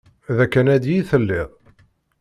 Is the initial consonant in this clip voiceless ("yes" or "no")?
no